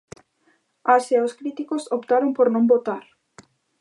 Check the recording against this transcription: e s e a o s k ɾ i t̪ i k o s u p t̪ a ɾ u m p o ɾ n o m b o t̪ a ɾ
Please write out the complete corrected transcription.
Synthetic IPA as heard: a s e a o s k ɾ i t̪ i k o s o p t̪ a ɾ o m p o ɾ n õ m b o t̪ a ɾ